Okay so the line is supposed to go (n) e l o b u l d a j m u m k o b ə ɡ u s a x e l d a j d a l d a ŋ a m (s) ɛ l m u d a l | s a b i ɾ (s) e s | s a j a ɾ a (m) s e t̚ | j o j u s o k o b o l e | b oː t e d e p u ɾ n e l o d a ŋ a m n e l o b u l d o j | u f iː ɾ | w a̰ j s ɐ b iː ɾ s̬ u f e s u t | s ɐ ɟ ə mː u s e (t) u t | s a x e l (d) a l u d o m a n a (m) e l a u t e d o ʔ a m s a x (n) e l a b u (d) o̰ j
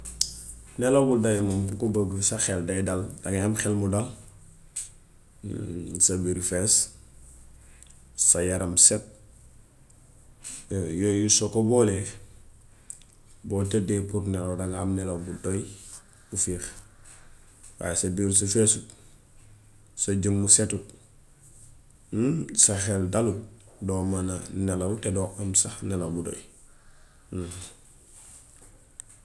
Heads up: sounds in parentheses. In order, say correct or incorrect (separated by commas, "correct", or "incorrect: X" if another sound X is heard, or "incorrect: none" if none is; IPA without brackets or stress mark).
correct, incorrect: x, incorrect: f, correct, correct, correct, incorrect: n, correct, correct